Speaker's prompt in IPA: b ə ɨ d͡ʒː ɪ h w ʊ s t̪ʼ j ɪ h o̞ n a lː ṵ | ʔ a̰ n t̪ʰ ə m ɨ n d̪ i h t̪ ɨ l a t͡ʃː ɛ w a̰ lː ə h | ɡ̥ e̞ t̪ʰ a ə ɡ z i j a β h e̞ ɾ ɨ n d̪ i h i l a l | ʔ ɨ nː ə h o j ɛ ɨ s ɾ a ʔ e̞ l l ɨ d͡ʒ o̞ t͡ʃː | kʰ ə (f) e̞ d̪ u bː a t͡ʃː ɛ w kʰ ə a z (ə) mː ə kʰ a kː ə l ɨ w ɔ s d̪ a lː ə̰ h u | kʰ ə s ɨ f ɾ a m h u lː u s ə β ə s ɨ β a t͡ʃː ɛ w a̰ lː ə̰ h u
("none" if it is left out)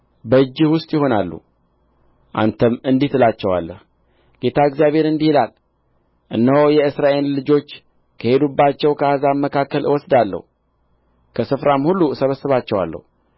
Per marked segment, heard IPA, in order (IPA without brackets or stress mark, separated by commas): h, a